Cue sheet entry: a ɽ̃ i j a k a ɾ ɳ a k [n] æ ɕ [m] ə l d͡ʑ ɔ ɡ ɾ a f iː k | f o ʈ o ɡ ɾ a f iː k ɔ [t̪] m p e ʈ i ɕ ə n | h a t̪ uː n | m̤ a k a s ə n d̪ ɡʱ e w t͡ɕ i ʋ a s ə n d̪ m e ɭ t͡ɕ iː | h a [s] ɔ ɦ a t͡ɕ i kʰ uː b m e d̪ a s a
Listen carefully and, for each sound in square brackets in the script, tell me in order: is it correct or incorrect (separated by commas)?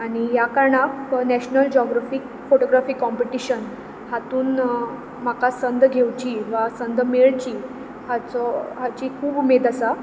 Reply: correct, incorrect, incorrect, incorrect